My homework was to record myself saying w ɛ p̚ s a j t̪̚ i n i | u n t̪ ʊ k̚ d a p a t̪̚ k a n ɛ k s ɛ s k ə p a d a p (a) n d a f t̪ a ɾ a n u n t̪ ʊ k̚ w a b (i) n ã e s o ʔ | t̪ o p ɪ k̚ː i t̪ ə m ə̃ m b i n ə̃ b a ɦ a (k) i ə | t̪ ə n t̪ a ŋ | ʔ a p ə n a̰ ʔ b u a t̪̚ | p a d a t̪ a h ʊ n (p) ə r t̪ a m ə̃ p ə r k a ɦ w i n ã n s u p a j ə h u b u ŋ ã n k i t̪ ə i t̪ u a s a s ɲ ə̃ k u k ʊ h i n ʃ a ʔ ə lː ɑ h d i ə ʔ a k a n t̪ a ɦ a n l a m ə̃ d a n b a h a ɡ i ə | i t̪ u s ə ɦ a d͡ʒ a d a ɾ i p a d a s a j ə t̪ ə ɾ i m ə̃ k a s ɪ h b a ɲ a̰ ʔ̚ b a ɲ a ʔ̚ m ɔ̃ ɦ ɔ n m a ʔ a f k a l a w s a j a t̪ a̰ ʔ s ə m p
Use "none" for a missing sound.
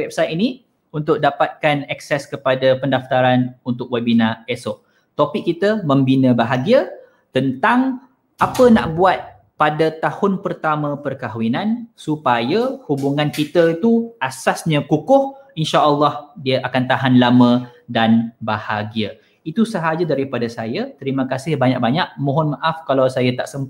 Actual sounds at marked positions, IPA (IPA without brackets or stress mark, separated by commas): ə, i, ɡ, p